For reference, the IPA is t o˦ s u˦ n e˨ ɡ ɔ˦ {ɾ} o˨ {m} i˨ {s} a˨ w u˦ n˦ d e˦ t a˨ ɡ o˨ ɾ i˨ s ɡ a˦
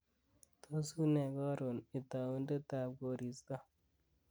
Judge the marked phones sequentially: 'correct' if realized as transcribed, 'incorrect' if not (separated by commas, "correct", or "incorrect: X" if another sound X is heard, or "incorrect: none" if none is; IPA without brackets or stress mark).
correct, incorrect: n, incorrect: t